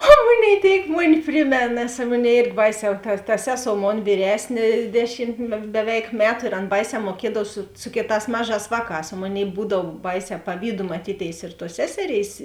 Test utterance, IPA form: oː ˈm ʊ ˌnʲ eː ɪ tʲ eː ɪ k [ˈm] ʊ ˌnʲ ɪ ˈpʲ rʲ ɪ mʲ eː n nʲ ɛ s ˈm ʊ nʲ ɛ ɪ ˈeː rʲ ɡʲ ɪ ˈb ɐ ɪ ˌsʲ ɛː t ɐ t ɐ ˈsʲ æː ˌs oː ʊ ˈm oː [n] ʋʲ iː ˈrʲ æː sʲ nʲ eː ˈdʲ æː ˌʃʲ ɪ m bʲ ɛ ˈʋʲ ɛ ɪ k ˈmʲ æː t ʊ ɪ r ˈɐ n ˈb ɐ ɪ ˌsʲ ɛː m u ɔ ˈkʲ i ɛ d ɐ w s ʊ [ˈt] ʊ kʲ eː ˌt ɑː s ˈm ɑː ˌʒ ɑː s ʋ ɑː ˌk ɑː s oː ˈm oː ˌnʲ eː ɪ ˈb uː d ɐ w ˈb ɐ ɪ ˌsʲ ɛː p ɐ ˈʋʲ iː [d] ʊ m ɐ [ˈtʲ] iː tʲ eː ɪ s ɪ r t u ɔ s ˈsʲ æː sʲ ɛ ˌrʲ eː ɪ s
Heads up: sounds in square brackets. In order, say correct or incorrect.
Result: correct, correct, incorrect: s, correct, correct

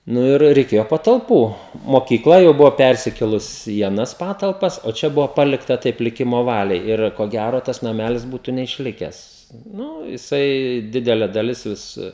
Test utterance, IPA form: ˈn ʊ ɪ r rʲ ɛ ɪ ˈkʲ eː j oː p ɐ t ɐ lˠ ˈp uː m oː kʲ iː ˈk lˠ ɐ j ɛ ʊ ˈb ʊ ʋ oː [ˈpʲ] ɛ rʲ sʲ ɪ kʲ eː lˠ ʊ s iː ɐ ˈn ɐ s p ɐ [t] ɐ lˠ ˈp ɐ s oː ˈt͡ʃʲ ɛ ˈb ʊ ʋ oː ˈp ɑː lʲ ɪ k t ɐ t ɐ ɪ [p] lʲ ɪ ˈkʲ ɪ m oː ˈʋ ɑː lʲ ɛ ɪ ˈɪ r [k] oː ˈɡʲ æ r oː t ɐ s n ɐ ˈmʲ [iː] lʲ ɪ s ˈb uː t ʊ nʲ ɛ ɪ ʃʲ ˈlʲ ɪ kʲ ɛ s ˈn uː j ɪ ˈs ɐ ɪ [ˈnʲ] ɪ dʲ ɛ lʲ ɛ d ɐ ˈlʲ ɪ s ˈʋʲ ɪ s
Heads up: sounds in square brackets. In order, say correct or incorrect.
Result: correct, correct, correct, correct, incorrect: æː, incorrect: dʲ

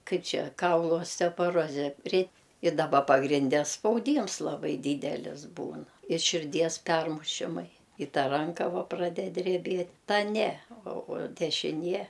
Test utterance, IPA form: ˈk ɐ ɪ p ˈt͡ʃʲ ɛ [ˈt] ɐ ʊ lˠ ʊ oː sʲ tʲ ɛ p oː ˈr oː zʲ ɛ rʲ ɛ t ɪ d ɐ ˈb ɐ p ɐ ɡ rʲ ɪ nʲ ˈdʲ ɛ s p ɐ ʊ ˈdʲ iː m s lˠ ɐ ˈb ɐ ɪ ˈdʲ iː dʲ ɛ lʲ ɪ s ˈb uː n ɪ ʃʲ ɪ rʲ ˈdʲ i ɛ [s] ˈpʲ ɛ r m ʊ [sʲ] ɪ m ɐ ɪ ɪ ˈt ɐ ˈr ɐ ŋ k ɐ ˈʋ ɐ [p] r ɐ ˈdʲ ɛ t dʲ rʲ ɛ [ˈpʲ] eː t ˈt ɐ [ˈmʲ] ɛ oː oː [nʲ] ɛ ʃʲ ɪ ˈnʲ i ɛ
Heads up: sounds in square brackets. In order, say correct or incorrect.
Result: incorrect: k, correct, incorrect: ʃʲ, correct, incorrect: bʲ, incorrect: nʲ, incorrect: dʲ

